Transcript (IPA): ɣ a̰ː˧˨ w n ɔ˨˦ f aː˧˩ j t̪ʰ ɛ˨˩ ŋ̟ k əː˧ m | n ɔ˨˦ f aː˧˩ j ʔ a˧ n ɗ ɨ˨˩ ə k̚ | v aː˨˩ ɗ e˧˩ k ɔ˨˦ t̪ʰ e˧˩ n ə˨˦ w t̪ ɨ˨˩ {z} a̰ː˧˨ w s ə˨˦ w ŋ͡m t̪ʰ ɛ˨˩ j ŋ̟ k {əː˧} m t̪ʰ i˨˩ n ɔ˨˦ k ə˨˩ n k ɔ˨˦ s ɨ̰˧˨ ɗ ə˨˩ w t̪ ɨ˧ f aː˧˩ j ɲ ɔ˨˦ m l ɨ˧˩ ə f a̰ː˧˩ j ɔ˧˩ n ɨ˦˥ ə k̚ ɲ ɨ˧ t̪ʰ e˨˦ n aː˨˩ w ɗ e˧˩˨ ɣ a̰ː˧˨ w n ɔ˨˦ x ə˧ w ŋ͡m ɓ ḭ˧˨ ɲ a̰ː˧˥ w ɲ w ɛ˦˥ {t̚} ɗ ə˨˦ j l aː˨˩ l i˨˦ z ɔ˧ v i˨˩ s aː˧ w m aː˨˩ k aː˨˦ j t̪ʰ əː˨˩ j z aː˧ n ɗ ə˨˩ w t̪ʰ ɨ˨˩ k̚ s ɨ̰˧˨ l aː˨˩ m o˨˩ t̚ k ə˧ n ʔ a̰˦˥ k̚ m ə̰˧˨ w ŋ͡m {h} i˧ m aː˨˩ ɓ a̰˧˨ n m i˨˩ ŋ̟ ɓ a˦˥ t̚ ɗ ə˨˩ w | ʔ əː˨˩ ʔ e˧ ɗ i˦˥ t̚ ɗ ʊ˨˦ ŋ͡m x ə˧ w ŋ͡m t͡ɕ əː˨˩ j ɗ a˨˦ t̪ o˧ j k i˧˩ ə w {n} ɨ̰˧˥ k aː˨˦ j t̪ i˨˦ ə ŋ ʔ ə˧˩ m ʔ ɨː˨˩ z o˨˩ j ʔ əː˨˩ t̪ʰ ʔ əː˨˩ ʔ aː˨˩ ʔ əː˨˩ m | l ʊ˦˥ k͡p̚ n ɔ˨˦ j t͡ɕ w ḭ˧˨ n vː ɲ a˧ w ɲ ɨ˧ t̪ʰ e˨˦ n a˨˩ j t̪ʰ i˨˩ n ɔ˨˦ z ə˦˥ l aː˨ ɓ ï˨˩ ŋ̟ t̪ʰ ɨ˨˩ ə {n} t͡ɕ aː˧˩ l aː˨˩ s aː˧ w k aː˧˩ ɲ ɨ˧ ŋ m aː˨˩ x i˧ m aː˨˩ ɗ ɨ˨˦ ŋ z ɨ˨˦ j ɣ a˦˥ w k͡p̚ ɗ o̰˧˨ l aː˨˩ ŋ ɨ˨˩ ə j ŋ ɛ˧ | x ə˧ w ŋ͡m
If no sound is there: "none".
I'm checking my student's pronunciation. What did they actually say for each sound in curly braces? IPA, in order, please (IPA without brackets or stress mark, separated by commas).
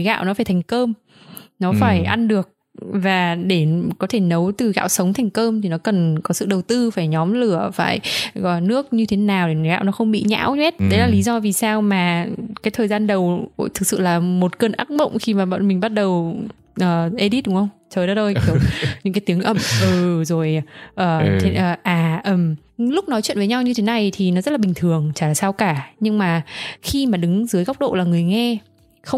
ɣ, əː˧, t̚, x, ɲ, ŋ